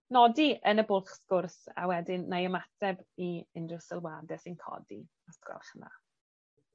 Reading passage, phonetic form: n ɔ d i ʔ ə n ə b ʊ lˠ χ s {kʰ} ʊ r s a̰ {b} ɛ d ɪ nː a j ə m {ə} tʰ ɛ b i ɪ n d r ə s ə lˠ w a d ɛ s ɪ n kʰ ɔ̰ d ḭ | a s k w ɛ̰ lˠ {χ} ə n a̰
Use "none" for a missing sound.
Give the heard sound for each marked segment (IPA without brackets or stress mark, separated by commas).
k, w, a, χ